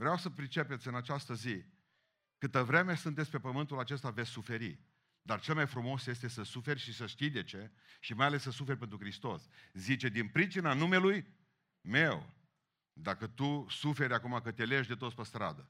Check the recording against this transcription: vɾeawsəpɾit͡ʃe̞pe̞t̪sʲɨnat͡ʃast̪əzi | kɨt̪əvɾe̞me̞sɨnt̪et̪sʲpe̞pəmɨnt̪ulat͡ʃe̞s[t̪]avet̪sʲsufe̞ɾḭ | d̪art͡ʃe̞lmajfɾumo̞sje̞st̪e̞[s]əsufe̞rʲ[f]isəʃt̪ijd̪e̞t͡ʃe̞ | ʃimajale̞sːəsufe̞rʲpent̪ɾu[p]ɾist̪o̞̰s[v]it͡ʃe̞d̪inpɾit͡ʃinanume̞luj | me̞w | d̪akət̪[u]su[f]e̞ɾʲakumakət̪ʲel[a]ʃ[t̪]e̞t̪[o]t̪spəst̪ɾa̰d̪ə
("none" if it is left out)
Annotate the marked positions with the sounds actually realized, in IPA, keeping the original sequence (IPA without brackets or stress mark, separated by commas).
t̪, s, ʃ, k, z, u, f, e, d̪, o